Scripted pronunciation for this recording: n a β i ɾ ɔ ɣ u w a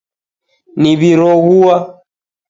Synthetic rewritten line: n i β i ɾ ɔ ɣ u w a